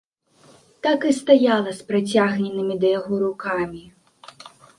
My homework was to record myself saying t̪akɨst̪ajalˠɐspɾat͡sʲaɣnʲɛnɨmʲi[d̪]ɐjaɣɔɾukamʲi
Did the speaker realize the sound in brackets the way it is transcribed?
yes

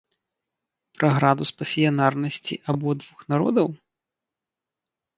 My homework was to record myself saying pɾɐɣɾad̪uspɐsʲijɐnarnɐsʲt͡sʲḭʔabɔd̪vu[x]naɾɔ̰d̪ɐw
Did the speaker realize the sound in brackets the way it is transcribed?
yes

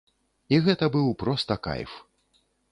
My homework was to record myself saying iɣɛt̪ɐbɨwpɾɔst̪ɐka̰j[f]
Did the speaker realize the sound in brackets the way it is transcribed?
yes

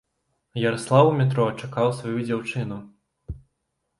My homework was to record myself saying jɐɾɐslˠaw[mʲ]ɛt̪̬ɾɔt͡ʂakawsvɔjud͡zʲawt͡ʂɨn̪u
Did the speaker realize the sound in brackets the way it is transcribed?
yes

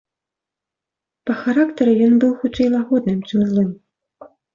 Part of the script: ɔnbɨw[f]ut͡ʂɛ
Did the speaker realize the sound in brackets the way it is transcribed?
no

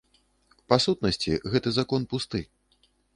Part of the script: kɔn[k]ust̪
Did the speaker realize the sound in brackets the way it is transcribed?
no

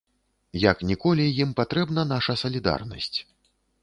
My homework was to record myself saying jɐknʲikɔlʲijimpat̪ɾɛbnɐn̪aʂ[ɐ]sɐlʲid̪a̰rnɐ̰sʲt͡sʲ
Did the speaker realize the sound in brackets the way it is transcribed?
yes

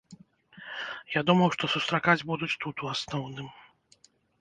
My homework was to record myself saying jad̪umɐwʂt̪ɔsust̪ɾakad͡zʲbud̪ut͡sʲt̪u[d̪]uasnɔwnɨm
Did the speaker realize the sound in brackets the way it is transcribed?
no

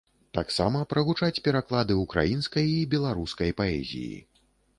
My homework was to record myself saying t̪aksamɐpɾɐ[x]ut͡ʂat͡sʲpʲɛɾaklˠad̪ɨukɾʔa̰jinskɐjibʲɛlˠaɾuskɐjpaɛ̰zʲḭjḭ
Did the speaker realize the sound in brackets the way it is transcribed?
no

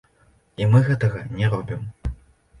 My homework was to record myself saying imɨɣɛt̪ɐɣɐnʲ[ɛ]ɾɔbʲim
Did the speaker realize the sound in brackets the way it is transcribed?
yes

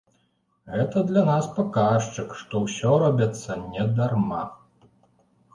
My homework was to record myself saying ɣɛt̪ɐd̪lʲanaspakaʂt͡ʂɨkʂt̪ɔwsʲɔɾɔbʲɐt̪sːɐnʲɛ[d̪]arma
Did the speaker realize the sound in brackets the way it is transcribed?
yes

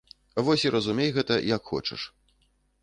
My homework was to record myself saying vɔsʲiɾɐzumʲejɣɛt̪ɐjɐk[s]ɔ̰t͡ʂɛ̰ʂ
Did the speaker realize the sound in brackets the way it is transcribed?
no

